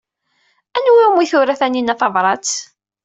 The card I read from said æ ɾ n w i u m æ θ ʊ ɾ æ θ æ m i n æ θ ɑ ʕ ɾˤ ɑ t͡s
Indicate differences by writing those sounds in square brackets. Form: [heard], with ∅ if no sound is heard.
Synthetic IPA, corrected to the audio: æ [∅] n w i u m [i] θ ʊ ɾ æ θ æ [n] i n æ θ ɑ [v] ɾˤ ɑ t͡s